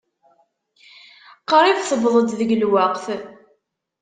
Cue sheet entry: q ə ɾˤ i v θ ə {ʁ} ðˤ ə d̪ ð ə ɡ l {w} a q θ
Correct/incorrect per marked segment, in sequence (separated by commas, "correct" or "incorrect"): incorrect, correct